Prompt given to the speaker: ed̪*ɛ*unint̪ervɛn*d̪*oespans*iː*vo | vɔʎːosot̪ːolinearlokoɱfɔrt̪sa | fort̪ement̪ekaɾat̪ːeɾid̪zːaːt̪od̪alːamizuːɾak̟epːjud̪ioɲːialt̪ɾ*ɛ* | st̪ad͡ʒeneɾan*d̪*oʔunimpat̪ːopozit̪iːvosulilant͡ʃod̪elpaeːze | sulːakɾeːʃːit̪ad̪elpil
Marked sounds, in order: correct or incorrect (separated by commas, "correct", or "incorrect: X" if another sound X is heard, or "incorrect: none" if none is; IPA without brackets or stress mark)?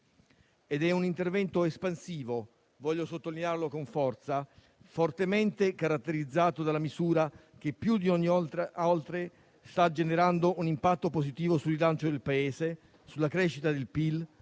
correct, incorrect: t̪, correct, incorrect: e, correct